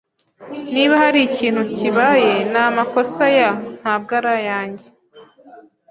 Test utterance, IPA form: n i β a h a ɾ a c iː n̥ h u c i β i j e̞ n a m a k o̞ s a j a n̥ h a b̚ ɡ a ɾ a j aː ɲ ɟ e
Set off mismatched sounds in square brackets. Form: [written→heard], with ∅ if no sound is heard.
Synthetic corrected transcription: n i β a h a ɾ [a→i] c iː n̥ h u c i β [i→a] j e̞ n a m a k o̞ s a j a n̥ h a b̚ ɡ a ɾ a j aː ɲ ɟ e